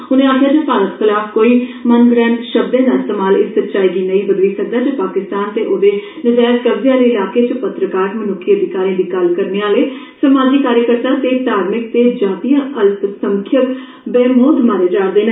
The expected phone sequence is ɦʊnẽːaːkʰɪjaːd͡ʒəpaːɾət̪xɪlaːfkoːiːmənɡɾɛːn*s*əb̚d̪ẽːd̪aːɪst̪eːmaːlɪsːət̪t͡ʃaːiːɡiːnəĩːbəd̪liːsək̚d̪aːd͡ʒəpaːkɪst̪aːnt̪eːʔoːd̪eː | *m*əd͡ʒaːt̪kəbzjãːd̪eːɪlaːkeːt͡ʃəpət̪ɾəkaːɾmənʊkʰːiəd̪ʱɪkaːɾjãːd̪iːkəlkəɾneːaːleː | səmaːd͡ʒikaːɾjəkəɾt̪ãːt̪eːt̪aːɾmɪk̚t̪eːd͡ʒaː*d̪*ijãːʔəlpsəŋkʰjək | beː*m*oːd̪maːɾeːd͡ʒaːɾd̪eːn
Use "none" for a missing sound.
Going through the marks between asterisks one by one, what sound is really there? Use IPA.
ʃ, n, t̪, m

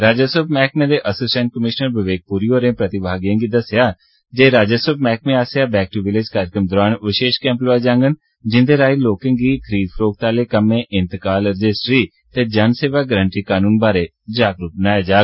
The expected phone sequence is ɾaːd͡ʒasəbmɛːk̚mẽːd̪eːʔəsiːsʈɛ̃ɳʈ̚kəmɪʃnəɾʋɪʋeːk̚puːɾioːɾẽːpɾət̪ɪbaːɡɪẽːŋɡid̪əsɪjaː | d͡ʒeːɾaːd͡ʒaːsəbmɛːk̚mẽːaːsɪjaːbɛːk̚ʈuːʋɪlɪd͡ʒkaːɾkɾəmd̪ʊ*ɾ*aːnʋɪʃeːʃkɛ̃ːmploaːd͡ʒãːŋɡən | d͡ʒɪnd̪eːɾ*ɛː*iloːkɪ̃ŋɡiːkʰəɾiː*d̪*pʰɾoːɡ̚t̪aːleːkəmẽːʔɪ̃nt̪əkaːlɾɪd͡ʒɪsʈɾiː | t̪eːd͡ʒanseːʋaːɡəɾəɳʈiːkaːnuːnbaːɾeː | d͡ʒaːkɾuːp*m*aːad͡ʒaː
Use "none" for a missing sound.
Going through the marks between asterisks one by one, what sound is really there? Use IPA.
ɾ, aː, d̪, n

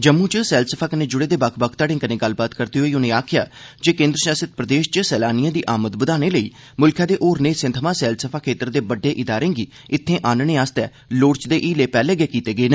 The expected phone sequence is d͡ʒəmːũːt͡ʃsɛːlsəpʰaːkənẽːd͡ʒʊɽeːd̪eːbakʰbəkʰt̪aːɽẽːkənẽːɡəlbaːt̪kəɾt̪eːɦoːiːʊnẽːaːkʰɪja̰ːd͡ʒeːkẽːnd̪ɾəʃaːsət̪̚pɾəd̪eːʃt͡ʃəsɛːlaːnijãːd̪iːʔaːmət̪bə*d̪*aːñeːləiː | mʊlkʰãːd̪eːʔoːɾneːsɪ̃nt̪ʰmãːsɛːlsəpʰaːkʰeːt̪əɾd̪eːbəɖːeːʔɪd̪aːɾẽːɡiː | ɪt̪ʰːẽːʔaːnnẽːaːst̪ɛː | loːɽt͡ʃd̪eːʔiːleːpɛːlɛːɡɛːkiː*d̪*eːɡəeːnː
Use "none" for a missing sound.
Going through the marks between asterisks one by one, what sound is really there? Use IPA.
d̪, t̪

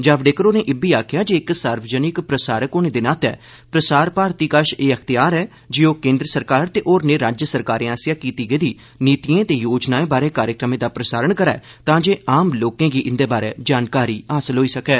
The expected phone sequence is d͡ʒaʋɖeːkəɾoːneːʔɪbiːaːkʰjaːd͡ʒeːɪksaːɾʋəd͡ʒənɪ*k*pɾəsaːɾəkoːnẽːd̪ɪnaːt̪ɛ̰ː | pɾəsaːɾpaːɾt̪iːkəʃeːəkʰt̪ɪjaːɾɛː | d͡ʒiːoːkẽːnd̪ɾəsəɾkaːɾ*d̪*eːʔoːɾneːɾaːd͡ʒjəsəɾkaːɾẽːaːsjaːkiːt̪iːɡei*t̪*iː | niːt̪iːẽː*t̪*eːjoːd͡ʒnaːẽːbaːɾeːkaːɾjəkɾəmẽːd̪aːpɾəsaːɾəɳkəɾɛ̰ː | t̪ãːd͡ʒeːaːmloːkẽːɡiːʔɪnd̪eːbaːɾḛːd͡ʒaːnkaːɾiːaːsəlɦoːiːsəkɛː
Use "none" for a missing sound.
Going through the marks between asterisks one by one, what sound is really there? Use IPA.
k, t̪, d̪, t̪

